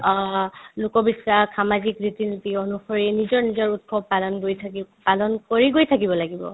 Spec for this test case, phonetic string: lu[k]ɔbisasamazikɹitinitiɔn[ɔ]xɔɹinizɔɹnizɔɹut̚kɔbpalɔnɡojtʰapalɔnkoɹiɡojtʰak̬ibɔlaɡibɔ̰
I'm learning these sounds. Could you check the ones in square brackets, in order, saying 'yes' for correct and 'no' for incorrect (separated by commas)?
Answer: yes, no